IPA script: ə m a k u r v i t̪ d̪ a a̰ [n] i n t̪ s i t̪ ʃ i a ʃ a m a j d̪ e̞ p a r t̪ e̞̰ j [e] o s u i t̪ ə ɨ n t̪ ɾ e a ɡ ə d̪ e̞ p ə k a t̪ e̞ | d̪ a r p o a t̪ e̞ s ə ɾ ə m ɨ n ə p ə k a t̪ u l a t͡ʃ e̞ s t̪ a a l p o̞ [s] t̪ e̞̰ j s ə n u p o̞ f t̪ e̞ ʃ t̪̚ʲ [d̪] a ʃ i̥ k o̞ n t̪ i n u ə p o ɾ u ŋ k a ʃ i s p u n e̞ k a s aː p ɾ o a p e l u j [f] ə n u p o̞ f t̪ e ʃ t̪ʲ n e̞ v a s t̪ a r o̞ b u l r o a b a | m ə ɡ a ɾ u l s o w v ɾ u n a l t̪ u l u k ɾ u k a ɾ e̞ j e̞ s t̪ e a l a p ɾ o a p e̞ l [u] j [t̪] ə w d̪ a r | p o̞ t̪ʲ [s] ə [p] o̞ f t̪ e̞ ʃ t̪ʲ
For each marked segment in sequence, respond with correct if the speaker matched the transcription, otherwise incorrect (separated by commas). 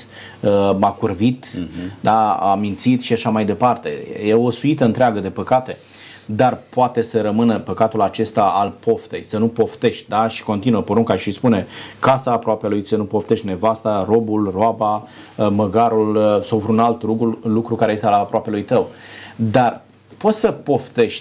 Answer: incorrect, correct, incorrect, correct, incorrect, correct, correct, correct, correct